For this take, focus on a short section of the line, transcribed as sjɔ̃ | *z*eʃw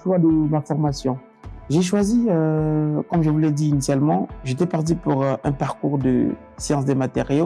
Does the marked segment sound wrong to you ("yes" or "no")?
yes